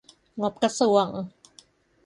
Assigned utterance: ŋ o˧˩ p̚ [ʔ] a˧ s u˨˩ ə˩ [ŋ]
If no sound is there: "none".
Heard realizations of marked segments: k, ŋ

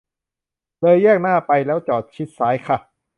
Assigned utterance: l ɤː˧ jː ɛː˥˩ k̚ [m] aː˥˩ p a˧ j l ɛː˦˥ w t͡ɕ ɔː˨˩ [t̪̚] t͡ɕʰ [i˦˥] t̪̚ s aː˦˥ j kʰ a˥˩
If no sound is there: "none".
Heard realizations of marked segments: n, t̪̚, i˦˥

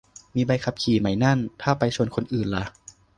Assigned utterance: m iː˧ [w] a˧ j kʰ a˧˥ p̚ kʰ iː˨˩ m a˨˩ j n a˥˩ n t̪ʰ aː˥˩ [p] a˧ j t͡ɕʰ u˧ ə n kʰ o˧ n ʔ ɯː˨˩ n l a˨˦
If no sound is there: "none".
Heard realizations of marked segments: b, p

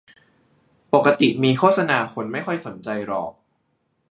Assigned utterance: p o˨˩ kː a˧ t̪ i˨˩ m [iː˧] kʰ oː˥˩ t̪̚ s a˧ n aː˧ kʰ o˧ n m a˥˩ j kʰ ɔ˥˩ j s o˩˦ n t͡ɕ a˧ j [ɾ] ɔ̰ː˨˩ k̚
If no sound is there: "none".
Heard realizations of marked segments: iː˧, ɾ

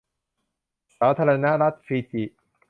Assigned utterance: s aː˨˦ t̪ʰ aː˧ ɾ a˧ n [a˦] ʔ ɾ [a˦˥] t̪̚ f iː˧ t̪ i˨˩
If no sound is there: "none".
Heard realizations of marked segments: a˦, a˦˥

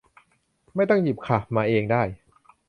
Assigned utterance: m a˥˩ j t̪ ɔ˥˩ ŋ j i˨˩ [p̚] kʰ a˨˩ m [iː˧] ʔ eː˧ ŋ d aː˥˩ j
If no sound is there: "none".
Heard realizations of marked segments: p̚, aː˧

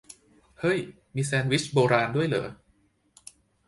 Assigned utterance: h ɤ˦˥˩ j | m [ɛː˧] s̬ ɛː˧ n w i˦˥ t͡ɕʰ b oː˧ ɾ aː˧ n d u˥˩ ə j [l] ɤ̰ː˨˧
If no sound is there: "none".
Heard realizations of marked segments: iː˧, l

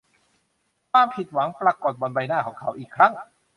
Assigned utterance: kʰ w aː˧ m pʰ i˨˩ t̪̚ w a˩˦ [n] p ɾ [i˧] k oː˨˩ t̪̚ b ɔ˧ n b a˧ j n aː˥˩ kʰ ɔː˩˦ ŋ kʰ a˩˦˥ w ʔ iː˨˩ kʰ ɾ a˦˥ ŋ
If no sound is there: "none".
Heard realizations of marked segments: ŋ, a˧

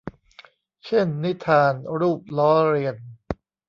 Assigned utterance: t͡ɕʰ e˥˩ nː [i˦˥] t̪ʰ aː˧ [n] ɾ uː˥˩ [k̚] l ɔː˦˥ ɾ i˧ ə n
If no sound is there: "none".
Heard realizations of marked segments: i˦˥, n, p̚

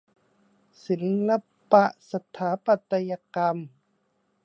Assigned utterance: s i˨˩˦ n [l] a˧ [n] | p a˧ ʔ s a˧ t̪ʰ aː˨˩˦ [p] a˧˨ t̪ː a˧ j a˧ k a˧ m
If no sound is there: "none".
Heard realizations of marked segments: l, none, p

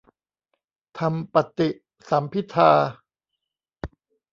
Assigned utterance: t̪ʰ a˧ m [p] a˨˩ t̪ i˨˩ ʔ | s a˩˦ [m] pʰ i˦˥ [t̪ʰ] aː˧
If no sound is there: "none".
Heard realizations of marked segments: p, m, t̪ʰ

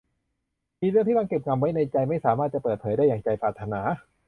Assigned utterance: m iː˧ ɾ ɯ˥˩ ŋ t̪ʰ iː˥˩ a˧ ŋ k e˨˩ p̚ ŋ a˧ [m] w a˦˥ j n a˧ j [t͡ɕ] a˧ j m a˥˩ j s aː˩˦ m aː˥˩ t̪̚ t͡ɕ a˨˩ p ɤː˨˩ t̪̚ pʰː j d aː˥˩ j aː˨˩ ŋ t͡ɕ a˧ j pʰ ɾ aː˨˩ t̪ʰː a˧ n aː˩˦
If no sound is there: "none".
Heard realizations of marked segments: m, t͡ɕ

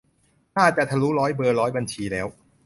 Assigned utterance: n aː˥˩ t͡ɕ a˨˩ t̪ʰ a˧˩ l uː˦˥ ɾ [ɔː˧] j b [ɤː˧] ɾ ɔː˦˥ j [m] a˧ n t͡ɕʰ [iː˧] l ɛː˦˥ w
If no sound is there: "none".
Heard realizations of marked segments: ɔː˦˥, ɤː˧, b, iː˧

